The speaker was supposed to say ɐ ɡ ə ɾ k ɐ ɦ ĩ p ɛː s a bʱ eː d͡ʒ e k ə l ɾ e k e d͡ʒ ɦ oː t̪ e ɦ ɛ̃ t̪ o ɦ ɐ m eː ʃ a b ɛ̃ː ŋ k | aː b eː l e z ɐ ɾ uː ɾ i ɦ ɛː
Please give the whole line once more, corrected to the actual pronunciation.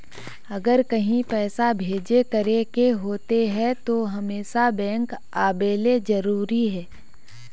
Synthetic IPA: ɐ ɡ ə ɾ k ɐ ɦ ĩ p ɛː s a bʱ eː d͡ʒ e k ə ɾ e k e ɦ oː t̪ e ɦ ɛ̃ t̪ o ɦ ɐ m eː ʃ a b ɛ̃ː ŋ k | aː b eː l e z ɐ ɾ uː ɾ i ɦ ɛː